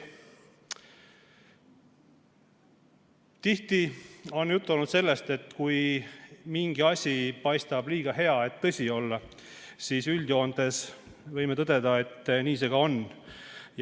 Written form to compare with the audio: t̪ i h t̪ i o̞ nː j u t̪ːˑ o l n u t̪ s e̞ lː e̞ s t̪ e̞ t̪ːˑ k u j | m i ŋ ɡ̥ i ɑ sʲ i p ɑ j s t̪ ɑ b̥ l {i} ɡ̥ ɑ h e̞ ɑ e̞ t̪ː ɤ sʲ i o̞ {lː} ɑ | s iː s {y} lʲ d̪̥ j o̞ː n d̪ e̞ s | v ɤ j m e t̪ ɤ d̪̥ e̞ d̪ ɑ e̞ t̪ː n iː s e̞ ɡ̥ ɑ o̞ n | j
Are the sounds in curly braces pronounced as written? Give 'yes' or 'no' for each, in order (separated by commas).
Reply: no, yes, yes